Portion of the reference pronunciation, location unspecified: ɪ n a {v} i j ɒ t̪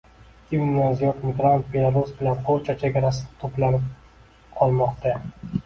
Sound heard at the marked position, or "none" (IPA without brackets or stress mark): z